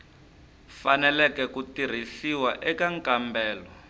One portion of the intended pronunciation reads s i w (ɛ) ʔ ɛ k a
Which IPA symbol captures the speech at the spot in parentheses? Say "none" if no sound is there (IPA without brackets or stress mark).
a